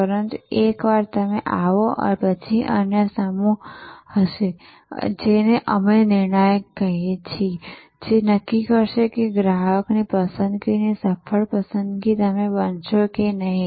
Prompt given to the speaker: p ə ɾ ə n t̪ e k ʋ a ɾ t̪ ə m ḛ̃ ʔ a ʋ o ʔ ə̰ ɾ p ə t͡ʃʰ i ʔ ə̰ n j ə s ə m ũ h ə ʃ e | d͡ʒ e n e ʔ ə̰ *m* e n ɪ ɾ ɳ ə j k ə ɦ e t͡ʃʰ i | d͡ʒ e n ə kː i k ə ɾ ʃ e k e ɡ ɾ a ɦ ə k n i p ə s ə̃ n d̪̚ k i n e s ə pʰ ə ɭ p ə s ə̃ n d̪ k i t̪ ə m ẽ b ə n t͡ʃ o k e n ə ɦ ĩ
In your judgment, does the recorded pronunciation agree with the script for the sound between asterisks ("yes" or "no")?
yes